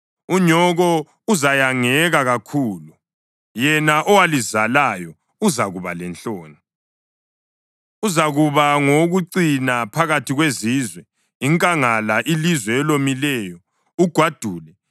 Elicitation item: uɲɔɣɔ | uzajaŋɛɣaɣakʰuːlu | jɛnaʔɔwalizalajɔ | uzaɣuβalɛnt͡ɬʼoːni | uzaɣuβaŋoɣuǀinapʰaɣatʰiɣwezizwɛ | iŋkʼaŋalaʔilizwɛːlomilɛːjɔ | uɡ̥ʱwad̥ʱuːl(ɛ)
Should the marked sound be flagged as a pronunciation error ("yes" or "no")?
no